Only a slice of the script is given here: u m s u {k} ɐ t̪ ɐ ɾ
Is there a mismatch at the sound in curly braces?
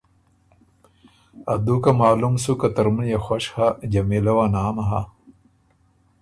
no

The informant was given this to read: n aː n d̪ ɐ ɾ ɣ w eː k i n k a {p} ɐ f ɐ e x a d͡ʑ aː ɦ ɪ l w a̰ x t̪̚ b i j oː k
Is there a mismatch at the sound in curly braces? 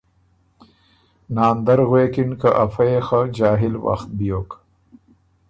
yes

